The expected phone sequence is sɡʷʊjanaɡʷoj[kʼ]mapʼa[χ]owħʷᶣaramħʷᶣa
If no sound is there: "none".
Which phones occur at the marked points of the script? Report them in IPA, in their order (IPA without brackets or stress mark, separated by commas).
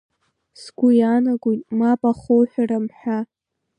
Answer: tʼ, χ